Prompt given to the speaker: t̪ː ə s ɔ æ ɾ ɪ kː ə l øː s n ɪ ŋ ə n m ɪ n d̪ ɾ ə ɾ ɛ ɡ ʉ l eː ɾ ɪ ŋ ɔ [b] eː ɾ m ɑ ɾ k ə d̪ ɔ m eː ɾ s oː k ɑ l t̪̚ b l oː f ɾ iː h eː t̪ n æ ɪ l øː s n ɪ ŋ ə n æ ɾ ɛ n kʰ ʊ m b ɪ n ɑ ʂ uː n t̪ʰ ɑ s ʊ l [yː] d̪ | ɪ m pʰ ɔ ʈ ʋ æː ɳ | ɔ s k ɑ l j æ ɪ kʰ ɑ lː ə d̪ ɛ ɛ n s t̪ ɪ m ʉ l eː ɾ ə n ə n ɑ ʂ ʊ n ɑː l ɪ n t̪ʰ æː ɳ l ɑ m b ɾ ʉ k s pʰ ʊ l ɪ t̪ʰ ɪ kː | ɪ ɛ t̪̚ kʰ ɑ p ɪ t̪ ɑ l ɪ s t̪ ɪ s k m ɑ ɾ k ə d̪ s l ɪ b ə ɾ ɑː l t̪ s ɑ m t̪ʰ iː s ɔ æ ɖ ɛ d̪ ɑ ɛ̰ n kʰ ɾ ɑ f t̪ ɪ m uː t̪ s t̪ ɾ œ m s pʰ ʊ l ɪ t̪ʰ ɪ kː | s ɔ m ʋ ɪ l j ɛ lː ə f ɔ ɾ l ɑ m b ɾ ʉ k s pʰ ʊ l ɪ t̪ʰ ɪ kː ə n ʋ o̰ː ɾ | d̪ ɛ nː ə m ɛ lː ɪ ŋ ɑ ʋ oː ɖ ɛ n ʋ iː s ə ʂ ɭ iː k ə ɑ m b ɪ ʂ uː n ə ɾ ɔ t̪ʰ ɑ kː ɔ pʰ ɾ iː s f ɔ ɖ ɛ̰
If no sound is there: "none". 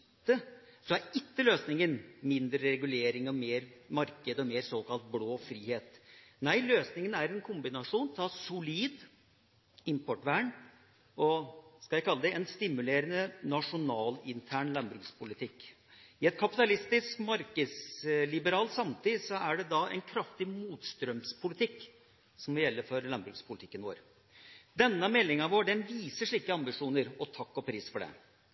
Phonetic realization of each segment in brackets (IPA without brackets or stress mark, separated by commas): m, iː